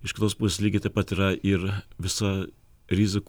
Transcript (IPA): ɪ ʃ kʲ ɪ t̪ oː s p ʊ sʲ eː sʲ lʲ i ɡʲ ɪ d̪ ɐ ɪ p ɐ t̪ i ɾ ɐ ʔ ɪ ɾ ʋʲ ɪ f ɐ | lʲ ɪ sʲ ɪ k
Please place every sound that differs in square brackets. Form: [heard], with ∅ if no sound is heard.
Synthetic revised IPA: ɪ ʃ kʲ ɪ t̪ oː s p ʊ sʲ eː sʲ lʲ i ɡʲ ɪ [t̪] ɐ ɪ p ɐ t̪ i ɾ ɐ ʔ ɪ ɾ ʋʲ ɪ [s] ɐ | [ɾʲ] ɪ [zʲ] ɪ k